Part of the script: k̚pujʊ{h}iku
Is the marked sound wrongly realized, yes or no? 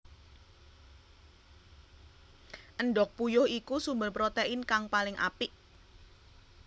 no